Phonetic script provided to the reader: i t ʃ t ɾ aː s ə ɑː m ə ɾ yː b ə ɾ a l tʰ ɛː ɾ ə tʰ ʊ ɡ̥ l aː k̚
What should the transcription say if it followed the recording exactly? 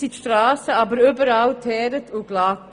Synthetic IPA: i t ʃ t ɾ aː s ə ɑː b ə ɾ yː b ə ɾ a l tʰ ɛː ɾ ə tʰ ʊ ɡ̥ l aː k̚